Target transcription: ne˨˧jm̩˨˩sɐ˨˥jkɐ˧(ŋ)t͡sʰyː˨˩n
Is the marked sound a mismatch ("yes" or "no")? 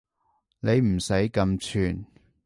yes